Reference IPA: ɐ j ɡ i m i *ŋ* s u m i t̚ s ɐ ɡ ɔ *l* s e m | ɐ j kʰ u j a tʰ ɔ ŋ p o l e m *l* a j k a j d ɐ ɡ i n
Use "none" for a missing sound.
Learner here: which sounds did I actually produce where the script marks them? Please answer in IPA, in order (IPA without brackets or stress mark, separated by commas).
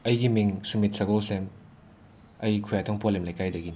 ŋ, l, l